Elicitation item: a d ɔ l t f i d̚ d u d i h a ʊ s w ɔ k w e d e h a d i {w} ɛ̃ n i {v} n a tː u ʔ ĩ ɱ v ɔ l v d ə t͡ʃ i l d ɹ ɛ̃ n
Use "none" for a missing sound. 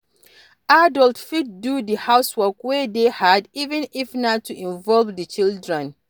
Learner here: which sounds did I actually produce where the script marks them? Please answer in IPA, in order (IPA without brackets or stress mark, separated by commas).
v, f